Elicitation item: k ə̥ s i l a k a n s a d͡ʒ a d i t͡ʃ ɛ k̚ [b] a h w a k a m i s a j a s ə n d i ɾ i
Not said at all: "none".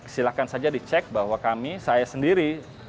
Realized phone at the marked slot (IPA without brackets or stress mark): b